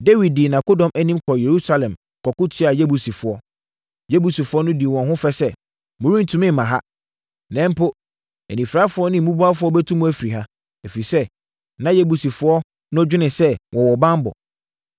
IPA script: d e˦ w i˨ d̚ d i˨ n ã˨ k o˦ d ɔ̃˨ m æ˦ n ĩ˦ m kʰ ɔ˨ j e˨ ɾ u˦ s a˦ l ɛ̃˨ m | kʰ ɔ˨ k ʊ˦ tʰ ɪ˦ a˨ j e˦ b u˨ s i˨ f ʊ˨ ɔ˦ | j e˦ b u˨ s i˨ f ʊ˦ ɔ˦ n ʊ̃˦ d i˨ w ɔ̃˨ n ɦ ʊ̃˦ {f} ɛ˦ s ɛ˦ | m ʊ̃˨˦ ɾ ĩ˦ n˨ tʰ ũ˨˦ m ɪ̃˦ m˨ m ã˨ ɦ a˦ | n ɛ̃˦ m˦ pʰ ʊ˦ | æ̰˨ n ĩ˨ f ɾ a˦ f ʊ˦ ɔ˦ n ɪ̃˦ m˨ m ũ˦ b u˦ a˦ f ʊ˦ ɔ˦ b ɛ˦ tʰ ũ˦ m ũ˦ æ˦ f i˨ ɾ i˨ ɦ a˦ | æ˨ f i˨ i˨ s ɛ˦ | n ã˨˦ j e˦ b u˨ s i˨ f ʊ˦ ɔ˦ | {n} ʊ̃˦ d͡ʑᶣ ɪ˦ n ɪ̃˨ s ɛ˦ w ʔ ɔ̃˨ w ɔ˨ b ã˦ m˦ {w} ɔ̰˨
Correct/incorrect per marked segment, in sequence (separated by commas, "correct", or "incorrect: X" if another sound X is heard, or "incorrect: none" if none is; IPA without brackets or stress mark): correct, correct, incorrect: b